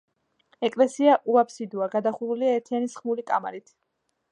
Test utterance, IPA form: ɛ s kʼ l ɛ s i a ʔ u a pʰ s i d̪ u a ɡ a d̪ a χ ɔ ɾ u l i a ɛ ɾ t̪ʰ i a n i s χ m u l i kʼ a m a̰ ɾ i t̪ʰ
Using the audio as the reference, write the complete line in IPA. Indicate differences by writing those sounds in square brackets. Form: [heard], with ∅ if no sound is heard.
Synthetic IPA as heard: ɛ [∅] kʼ l ɛ s i a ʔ u a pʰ s i d̪ u a ɡ a d̪ a χ [u] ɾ u l i a ɛ ɾ t̪ʰ i a n i s χ m u l i kʼ a m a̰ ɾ i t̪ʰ

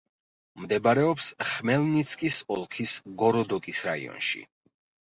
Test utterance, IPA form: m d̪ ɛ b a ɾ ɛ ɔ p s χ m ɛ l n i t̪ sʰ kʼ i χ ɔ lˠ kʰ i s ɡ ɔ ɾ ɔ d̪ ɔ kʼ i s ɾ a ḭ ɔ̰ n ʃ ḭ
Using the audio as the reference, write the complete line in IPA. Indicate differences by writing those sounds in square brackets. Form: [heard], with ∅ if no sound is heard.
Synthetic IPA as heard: m d̪ ɛ b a ɾ ɛ ɔ p s χ m ɛ l n i t̪ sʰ kʼ i [s] ɔ lˠ kʰ i s ɡ ɔ ɾ ɔ d̪ ɔ kʼ i s ɾ a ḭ ɔ̰ n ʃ ḭ

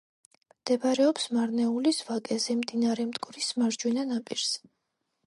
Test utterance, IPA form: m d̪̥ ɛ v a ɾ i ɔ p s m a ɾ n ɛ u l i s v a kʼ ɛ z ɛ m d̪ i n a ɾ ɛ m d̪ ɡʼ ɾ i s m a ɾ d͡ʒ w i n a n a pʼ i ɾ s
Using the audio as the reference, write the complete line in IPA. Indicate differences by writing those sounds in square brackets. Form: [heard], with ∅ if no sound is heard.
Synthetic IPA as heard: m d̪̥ ɛ [b] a ɾ [ɛ] ɔ p s m a ɾ n ɛ u l i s v a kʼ ɛ z ɛ m d̪ i n a ɾ ɛ m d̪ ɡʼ ɾ i s m a ɾ d͡ʒ w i n a n a pʼ i ɾ s

